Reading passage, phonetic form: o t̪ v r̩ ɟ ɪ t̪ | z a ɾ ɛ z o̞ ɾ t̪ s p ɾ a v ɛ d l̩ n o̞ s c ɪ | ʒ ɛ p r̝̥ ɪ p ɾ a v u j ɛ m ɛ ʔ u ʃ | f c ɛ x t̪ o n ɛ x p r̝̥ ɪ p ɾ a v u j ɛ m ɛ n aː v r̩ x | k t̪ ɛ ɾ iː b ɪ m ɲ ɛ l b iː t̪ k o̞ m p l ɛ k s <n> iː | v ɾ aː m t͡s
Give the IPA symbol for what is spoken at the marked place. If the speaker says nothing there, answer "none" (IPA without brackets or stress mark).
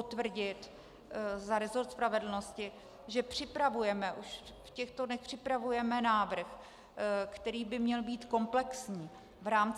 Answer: ɲ